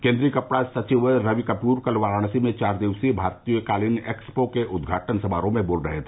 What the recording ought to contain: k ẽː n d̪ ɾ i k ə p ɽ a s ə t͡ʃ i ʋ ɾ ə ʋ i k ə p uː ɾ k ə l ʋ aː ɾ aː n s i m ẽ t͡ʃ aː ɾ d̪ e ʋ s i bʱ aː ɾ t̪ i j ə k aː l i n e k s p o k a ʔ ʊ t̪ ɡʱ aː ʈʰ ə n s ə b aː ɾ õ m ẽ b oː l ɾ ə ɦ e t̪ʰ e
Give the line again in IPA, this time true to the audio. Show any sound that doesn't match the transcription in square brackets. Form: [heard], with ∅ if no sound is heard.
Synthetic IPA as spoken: k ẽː n d̪ ɾ i k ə p ɽ a s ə t͡ʃ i ʋ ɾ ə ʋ i k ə p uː ɾ k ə l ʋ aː ɾ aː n s i m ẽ t͡ʃ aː ɾ d̪ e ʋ s i bʱ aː ɾ t̪ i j ə k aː l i n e k s p o k [e] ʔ ʊ [d̪] ɡʱ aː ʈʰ ə n s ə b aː ɾ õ m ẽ b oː l ɾ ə ɦ e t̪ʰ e

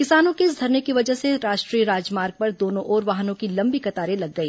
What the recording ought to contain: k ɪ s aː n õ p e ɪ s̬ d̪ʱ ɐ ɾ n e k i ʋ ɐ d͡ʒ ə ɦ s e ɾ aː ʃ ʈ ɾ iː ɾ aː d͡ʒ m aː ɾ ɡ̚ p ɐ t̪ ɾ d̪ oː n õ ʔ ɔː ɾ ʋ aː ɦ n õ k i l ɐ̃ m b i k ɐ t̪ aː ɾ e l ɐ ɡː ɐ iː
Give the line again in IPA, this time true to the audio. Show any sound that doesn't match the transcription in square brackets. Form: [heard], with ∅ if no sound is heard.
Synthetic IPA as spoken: k ɪ s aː n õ [k] e ɪ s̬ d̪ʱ ɐ ɾ n e k i ʋ ɐ d͡ʒ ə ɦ s e ɾ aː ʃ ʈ ɾ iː ɾ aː d͡ʒ m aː ɾ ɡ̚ p ɐ [∅] ɾ d̪ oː n õ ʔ ɔː ɾ ʋ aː ɦ n õ k i l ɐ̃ m b i k ɐ t̪ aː ɾ e l ɐ ɡː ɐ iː

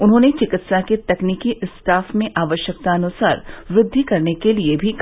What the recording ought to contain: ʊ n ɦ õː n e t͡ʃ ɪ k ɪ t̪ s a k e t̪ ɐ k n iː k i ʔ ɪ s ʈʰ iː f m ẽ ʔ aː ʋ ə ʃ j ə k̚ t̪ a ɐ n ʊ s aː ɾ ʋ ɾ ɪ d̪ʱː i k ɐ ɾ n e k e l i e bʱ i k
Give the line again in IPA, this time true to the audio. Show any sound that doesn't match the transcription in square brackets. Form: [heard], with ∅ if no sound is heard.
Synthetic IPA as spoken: ʊ n ɦ õː n e t͡ʃ ɪ k ɪ t̪ s a k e t̪ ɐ k n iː k i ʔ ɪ s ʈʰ [aː] f m ẽ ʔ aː ʋ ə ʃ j ə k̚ t̪ a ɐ n ʊ s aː ɾ ʋ ɾ ɪ d̪ʱː i k ɐ ɾ n e k e l i e bʱ i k

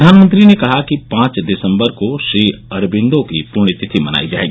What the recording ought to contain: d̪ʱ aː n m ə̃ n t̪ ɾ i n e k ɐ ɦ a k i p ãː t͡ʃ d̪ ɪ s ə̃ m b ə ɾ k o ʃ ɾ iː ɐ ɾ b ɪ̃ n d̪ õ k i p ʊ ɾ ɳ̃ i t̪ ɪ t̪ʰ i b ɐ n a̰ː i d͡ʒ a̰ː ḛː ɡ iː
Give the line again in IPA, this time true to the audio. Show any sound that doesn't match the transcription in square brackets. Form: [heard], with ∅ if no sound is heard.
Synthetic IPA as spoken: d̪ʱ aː n m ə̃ n t̪ ɾ i n e k ɐ ɦ a k i p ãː t͡ʃ d̪ ɪ s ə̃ m b ə ɾ k o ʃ ɾ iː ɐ ɾ b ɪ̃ n d̪ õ k i p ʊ ɾ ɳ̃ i t̪ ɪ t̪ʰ i [m] ɐ n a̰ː i d͡ʒ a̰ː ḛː ɡ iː

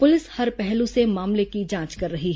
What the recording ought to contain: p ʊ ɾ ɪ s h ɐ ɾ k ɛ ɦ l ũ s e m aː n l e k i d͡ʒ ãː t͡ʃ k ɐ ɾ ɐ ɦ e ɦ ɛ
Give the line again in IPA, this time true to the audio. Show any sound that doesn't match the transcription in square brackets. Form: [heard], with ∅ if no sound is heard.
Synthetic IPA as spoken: p ʊ [l] ɪ s h ɐ ɾ [p] ɛ ɦ l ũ s e m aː [m] l e k i d͡ʒ ãː t͡ʃ k ɐ [ɾː] ɐ ɦ [i] ɦ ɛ

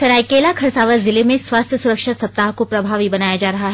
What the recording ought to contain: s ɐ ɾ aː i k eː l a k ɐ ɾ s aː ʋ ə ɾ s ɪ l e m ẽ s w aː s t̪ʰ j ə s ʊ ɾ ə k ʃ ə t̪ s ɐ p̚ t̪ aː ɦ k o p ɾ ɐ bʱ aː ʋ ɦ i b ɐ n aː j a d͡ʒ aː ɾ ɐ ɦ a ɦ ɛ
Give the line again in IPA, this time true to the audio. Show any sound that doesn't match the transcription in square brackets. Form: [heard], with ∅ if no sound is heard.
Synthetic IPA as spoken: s ɐ ɾ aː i k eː l a [kʰ] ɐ ɾ s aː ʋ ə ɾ [z] ɪ l e m ẽ s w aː s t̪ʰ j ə s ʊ ɾ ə k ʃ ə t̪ s ɐ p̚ t̪ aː ɦ k o p ɾ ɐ bʱ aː ʋ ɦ i b ɐ n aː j a d͡ʒ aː ɾ ɐ ɦ a ɦ ɛ

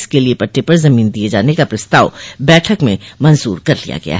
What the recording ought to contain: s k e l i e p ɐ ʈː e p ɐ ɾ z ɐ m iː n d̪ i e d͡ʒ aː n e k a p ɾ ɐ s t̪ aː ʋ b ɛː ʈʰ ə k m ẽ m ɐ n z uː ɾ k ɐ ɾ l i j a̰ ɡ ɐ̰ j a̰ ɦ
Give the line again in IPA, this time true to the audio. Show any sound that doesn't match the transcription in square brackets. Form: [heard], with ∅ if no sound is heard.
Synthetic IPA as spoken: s k e l i e p ɐ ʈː e p ɐ ɾ z ɐ m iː n d̪ i e d͡ʒ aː n e k a p ɾ ɐ s t̪ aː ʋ b ɛː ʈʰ ə k m ẽ m ɐ n z uː ɾ k ɐ ɾ l i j a̰ ɡ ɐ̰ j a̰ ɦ

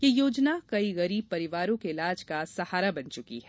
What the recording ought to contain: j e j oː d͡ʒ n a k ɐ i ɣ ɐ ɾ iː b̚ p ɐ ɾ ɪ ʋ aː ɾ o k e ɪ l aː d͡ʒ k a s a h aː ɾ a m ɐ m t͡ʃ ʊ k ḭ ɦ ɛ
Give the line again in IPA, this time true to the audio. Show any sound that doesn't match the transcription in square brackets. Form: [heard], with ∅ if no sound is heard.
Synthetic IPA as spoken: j e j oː d͡ʒ n a k ɐ i ɣ ɐ ɾ iː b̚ p ɐ ɾ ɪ ʋ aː ɾ [õ] k e ɪ l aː d͡ʒ k a s [ɐ] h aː ɾ a [b] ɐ [n] t͡ʃ ʊ k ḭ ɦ ɛ

